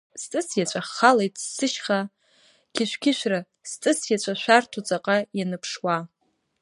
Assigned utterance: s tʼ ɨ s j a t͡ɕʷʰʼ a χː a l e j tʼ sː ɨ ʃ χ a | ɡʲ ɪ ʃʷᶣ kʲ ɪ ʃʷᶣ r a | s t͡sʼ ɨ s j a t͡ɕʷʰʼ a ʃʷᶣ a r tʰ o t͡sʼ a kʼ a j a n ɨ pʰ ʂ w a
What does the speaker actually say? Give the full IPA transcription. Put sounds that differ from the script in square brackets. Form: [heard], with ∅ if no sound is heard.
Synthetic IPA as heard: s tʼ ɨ s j a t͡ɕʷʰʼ a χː a l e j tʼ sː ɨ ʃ χ a | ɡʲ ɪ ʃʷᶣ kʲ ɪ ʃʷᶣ r a | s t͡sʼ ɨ s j a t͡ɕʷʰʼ a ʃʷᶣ a r tʰ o t͡sʼ a [qʼ] a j a n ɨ pʰ ʂ w a

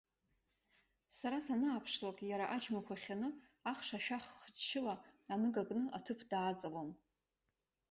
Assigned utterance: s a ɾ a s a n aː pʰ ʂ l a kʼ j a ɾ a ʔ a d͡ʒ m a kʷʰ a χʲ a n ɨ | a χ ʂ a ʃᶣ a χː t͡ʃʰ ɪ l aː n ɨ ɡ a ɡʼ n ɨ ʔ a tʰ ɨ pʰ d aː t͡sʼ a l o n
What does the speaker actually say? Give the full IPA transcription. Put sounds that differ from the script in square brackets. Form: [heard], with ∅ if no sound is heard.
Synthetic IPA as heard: s a ɾ a s a n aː pʰ ʂ l a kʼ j a ɾ a ʔ a d͡ʒ m a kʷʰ a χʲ a n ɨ | a χ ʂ a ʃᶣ a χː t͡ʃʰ ɪ l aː n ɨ ɡ a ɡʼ n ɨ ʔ a tʰ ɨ pʰ d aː t͡sʼ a l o n

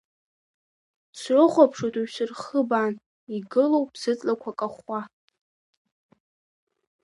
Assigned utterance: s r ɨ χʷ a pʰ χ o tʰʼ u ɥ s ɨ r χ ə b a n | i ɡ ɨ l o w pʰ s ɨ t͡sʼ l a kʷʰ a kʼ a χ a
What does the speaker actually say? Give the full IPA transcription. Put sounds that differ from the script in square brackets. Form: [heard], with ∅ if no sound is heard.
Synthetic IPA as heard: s r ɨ χʷ a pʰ [ʂ] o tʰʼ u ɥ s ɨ r χ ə b a n | i ɡ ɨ l o w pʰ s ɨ t͡sʼ l a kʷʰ a kʼ a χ a

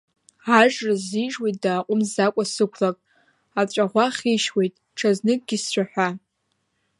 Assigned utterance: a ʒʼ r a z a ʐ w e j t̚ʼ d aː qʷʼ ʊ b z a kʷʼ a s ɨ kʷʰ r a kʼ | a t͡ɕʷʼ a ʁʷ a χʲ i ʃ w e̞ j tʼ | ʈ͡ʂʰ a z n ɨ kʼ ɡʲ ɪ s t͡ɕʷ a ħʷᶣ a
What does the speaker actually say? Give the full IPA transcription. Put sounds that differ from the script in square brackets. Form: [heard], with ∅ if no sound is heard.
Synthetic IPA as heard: a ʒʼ r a z [i] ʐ w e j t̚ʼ d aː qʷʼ ʊ [m] z a kʷʼ a s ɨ kʷʰ [l] a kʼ | a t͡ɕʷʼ a ʁʷ a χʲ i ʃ w e̞ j tʼ | ʈ͡ʂʰ a z n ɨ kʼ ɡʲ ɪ s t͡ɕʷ a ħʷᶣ a

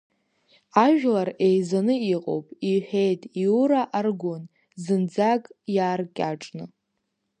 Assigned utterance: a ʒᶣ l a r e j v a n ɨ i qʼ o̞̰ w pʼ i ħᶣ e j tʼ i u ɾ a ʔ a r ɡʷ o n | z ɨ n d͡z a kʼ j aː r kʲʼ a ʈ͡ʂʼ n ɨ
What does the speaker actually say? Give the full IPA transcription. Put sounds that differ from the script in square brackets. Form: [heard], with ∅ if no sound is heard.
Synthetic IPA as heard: a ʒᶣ l a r e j [z] a n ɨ i qʼ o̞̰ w pʼ i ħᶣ e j tʼ i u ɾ a ʔ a r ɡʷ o n | z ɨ n d͡z a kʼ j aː r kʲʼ a ʈ͡ʂʼ n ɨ

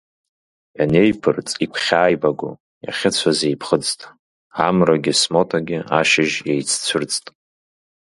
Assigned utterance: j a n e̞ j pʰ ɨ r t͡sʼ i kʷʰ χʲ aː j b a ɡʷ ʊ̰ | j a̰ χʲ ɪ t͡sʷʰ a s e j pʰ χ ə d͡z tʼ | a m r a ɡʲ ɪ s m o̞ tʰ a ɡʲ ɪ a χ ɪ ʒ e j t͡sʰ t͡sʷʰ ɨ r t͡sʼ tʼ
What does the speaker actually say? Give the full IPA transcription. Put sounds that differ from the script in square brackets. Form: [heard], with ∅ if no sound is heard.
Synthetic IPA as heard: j a n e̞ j pʰ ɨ r t͡sʼ i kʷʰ χʲ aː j b a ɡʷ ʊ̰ | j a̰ χʲ ɪ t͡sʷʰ a [z] e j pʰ χ ə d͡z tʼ | a m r a ɡʲ ɪ s m o̞ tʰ a ɡʲ ɪ a [ʃ] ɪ ʒ e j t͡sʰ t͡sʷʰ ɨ r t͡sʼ tʼ

